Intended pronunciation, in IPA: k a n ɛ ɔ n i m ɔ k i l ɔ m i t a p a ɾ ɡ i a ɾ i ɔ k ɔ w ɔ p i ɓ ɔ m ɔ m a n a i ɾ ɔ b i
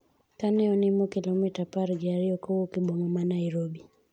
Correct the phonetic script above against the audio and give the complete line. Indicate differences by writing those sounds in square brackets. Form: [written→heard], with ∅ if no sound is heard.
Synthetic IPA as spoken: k a n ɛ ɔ n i m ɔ k i l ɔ m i t a p a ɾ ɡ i a ɾ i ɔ k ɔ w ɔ [p→k] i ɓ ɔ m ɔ m a n a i ɾ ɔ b i

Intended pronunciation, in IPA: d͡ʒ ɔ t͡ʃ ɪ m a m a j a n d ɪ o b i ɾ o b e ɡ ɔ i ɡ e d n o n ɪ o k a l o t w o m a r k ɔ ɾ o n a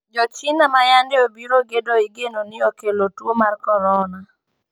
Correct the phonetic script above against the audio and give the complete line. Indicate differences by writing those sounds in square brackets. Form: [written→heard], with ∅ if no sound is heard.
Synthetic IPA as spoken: d͡ʒ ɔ t͡ʃ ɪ [m→n] a m a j a n d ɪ o b i ɾ o [b→ɡ] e [ɡ→d] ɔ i ɡ e [d→∅] n o n ɪ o k [a→e] l o t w o m a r k ɔ ɾ [o→ɔ] n a

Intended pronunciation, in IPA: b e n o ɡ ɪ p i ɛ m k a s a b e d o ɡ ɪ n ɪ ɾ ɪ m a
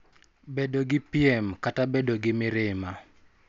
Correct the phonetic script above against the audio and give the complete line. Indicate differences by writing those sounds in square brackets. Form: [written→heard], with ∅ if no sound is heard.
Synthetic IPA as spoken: b e [n→d] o ɡ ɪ p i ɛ m k a [s→t] a b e d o ɡ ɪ [n→m] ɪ ɾ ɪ m a

